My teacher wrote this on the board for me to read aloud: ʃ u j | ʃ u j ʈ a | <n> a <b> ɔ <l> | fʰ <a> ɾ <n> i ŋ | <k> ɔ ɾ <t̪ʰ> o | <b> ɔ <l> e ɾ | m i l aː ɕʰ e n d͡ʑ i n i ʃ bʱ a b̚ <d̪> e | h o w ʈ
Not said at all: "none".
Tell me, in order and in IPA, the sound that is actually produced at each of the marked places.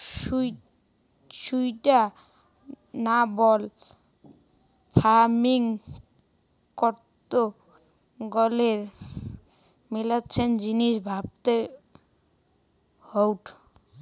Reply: n, b, l, a, m, k, t̪, ɡ, l, t̪

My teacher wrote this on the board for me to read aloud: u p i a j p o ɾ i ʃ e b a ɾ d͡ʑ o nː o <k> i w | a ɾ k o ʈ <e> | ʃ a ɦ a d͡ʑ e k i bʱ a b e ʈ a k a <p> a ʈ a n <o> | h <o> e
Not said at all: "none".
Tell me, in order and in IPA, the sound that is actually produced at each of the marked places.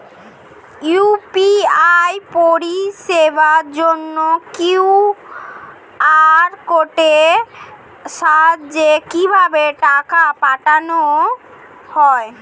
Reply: k, e, p, o, ɔ

